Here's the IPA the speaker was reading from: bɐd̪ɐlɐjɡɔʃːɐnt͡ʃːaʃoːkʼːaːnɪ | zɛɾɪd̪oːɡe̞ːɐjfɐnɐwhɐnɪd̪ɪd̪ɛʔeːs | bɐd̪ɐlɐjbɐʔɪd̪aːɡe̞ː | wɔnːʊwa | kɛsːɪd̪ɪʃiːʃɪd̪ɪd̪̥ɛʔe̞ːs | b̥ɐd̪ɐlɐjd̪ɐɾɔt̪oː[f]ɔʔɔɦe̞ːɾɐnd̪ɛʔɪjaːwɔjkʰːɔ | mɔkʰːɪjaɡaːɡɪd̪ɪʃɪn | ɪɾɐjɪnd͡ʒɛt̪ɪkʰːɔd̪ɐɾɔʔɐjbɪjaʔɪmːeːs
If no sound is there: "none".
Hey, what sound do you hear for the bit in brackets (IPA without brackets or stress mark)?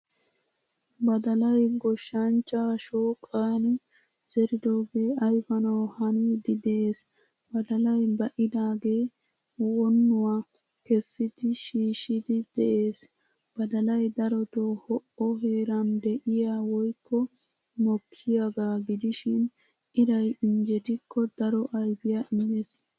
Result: h